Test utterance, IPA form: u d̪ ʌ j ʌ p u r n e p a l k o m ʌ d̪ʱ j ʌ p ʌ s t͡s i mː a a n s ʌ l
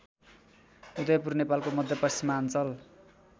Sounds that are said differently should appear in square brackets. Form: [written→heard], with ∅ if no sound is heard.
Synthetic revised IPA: u d̪ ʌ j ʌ p u r n e p a l k o m ʌ d̪ʱ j ʌ p ʌ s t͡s i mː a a n [s→t͡s] ʌ l